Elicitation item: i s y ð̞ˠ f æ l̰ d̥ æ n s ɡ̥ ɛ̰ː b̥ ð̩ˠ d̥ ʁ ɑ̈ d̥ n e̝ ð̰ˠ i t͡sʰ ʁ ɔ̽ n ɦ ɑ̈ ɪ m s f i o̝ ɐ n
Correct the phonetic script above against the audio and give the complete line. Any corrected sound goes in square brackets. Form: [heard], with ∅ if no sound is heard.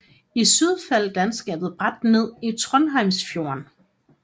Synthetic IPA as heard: i s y ð̞ˠ f æ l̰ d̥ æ n s ɡ̥ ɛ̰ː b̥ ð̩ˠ [b̥] ʁ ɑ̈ d̥ n e̝ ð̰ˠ i t͡sʰ ʁ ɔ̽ n ɦ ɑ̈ ɪ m s f [j] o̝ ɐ n